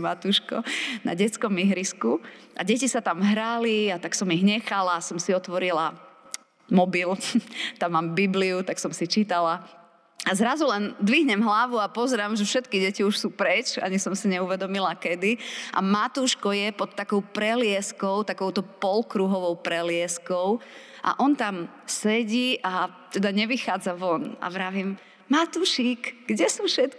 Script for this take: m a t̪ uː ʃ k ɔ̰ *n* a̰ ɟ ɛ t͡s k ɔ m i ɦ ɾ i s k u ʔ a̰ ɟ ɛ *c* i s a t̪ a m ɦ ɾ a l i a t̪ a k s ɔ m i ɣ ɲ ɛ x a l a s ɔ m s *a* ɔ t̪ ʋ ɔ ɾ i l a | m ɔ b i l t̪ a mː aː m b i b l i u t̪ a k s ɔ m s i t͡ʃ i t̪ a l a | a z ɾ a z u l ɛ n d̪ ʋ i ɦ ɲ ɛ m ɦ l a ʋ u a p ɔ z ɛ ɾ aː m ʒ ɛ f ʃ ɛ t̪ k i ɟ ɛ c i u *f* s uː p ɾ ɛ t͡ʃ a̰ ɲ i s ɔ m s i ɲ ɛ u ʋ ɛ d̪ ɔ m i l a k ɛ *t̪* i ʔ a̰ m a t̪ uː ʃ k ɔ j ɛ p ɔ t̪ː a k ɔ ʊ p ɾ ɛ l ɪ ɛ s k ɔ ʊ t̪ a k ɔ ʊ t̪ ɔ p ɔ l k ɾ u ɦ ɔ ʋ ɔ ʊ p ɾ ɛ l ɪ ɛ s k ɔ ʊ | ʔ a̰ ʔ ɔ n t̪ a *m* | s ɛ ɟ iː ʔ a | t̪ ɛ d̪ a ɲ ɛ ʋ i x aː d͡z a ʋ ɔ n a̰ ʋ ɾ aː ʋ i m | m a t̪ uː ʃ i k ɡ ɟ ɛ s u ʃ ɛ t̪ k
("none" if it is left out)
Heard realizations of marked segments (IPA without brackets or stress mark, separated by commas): n, c, i, ʃ, d̪, m